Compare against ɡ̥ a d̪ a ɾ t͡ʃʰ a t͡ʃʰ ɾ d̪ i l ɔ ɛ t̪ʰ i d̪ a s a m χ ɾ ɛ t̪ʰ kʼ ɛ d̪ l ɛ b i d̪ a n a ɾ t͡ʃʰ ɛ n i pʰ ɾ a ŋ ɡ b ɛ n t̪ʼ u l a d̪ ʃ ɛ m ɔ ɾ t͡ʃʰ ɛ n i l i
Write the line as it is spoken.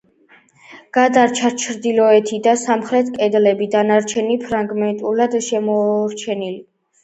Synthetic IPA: ɡ̥ a d̪ a ɾ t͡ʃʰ a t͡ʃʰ ɾ d̪ i l ɔ ɛ t̪ʰ i d̪ a s a m χ ɾ ɛ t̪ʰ kʼ ɛ d̪ l ɛ b i d̪ a n a ɾ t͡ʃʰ ɛ n i pʰ ɾ a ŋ ɡ m ɛ n t̪ʼ u l a d̪ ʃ ɛ m ɔ ɾ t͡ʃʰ ɛ n i l i